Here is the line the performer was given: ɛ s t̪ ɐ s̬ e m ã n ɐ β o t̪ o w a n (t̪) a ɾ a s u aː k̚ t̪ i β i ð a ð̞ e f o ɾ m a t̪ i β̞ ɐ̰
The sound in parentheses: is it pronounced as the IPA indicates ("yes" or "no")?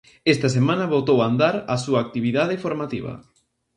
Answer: no